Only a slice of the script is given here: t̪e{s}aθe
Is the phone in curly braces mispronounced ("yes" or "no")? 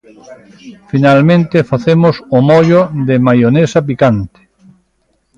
yes